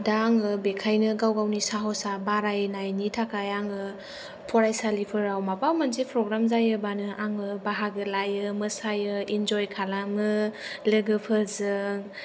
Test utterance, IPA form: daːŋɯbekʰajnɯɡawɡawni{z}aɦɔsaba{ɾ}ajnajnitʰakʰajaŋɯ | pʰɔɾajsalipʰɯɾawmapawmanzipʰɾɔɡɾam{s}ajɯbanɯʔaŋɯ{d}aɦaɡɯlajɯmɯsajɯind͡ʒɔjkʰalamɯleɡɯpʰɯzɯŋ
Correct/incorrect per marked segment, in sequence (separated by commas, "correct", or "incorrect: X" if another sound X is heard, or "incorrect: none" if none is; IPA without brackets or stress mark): incorrect: s, correct, incorrect: z, incorrect: b